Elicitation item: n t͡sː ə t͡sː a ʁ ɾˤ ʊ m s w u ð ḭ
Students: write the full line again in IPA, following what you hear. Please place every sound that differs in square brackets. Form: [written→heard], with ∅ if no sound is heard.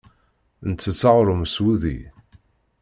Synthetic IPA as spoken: n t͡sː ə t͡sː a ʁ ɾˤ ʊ m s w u ð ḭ